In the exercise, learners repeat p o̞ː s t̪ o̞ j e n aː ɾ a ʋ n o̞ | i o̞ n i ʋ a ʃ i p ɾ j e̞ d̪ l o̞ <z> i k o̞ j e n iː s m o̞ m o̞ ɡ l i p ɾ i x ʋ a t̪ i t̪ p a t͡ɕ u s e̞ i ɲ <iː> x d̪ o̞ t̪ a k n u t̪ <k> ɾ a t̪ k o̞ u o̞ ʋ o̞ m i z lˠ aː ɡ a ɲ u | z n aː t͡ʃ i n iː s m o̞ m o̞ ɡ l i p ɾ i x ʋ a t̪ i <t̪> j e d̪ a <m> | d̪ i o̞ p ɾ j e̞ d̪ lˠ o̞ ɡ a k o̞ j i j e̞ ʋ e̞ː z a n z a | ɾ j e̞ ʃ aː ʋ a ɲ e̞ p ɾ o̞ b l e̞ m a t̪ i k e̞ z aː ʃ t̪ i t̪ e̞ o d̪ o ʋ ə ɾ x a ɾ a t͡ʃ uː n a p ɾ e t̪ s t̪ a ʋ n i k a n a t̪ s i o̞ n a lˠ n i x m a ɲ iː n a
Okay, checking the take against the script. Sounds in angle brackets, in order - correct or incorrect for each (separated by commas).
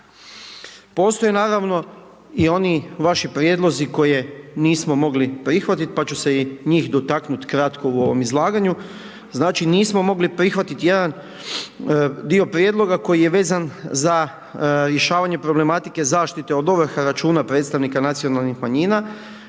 correct, correct, correct, correct, incorrect